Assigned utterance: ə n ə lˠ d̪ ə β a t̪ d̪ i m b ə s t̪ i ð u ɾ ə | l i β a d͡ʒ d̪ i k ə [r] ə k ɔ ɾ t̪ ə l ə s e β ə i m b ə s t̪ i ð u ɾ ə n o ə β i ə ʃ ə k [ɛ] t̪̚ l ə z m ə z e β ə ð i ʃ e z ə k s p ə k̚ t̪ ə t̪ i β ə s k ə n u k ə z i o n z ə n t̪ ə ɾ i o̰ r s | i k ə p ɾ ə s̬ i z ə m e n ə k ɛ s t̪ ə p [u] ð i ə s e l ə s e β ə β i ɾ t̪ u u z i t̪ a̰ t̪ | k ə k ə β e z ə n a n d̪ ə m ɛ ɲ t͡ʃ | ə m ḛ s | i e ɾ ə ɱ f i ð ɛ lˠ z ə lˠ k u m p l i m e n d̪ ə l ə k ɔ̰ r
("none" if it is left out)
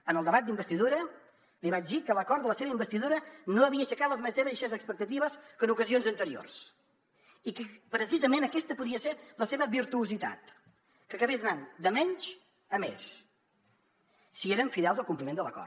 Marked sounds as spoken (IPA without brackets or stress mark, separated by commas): l, a, u